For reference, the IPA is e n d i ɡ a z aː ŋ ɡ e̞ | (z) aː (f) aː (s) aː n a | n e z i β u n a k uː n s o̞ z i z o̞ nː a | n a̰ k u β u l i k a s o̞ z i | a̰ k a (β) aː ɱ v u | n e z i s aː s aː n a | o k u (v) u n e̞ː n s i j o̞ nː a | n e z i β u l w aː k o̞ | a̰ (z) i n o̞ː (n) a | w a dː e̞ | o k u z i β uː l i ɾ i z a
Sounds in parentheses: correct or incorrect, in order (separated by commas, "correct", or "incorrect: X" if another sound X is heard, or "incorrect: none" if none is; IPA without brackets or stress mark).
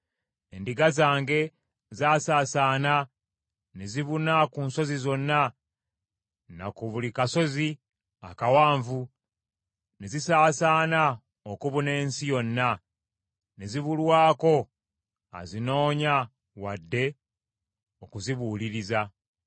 correct, incorrect: s, correct, incorrect: w, incorrect: β, correct, incorrect: ɲ